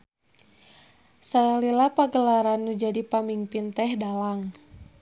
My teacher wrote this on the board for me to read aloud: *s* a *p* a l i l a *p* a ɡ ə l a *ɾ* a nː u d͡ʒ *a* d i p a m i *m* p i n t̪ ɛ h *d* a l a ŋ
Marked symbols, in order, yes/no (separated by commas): yes, no, yes, yes, yes, yes, yes